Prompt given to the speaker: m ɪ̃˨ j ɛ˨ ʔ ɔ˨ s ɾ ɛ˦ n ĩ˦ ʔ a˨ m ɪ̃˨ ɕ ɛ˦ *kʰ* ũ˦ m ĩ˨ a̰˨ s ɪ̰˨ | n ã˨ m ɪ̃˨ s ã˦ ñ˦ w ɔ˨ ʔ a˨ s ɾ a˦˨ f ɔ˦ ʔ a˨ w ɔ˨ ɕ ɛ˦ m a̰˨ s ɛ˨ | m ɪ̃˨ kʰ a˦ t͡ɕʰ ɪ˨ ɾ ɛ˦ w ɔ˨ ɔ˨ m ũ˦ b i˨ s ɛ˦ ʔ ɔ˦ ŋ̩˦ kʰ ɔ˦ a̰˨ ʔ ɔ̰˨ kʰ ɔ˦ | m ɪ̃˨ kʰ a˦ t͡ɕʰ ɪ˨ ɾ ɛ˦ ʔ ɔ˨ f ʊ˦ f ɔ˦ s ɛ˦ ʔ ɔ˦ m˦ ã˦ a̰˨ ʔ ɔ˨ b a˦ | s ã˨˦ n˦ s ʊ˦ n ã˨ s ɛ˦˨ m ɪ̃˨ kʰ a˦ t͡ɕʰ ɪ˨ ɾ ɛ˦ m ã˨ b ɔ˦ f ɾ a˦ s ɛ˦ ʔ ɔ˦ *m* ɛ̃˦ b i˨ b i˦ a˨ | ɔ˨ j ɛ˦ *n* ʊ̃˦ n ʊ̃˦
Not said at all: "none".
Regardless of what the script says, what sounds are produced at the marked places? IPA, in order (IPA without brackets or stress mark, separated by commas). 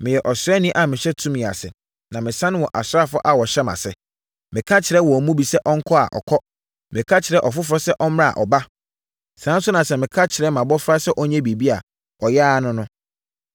tʰ, ɲ, n